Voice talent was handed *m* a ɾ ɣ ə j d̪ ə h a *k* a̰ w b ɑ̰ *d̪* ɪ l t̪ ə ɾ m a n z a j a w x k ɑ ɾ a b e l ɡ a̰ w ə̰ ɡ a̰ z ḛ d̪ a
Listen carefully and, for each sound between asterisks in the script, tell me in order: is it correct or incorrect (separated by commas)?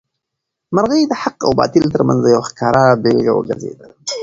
correct, incorrect, incorrect